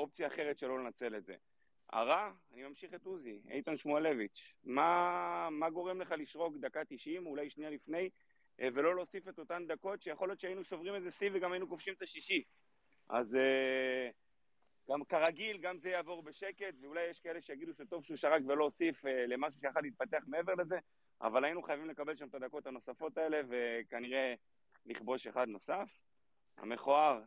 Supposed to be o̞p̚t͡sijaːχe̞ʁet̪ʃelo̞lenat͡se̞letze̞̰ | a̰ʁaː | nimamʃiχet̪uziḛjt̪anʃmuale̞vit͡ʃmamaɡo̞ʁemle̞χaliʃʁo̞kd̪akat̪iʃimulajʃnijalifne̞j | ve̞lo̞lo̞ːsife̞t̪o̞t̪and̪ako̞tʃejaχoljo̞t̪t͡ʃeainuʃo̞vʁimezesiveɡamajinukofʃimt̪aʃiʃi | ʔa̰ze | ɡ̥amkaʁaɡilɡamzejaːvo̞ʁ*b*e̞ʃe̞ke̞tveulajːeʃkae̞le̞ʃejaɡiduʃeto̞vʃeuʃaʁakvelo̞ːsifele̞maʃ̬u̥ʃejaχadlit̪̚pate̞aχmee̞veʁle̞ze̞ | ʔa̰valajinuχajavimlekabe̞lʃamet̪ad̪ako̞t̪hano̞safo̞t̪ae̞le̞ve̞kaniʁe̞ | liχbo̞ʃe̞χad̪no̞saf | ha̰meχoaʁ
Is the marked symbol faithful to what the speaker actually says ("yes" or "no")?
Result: yes